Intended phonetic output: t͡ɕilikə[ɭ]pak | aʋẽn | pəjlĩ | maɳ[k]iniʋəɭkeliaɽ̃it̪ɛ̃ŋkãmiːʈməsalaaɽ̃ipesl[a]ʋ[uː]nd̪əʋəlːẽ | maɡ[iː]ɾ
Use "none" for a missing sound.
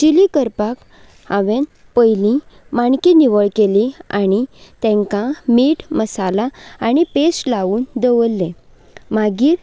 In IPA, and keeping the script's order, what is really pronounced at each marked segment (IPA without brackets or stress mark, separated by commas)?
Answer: ɾ, k, a, uː, iː